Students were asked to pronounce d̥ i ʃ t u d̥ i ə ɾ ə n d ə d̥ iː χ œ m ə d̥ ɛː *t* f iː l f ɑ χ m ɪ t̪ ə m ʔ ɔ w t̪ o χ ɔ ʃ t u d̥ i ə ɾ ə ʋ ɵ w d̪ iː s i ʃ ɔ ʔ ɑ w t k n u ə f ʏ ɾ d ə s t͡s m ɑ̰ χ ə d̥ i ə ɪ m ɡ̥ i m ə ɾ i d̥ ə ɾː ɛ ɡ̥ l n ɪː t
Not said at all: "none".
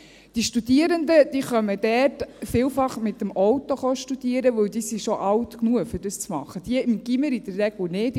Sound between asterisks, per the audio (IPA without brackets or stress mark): t